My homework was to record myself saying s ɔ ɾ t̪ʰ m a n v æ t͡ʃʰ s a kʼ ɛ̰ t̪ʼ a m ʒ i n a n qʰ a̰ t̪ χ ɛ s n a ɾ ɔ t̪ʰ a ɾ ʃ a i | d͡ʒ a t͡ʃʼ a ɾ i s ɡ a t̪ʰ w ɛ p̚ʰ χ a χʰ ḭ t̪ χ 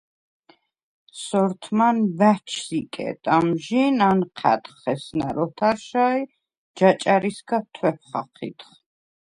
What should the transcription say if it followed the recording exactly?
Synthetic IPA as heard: s ɔ ɾ t̪ʰ m a n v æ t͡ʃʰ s i kʼ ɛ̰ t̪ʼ a m ʒ i n a n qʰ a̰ t̪ χ ɛ s n a ɾ ɔ t̪ʰ a ɾ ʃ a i | d͡ʒ a t͡ʃʼ a ɾ i s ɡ a t̪ʰ w ɛ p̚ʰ χ a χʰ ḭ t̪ χ